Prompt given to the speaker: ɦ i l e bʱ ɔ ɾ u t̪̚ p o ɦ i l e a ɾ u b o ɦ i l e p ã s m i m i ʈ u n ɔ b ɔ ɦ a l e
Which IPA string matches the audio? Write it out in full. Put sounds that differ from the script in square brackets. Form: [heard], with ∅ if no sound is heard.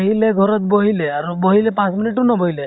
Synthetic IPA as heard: ɦ i l e [ɡʱ] ɔ ɾ [ɔ] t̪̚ [b] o ɦ i l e a ɾ u b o ɦ i l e p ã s m i [n] i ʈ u n ɔ b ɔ ɦ [i] l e